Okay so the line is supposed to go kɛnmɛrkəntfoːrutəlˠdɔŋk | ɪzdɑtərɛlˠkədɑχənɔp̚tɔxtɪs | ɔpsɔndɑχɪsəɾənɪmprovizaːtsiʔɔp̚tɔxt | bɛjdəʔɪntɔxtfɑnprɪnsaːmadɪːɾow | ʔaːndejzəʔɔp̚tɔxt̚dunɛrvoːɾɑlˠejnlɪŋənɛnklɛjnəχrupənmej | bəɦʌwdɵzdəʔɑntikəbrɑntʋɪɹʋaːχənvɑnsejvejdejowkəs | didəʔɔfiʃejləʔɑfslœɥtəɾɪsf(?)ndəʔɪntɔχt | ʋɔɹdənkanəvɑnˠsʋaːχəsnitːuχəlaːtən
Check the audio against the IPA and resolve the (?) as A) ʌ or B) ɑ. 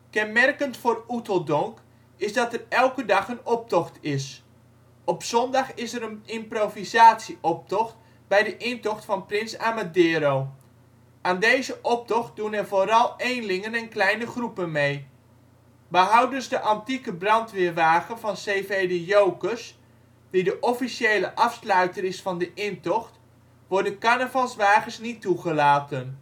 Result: B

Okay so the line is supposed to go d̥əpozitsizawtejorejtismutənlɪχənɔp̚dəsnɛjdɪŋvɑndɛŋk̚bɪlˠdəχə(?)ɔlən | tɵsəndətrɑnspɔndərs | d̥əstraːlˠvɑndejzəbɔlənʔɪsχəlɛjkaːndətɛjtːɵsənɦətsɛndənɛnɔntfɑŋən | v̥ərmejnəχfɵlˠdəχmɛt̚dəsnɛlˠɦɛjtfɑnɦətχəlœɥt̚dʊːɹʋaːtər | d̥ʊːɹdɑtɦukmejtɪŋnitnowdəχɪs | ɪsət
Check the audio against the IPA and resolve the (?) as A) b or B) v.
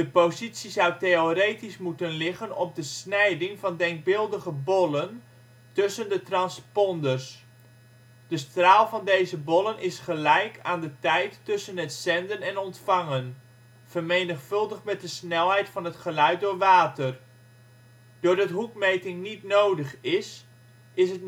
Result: A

